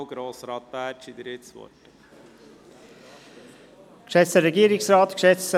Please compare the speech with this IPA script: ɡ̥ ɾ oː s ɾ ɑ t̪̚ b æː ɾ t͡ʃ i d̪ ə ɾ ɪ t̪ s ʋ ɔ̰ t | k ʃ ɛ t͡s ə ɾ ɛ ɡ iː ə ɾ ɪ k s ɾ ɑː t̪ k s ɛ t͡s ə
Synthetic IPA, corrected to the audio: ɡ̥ ɾ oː s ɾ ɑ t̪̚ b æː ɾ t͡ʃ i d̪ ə ɾ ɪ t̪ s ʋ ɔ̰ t | k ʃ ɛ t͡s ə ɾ ɛ ɡ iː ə ɾ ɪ k s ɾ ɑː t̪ k ʃ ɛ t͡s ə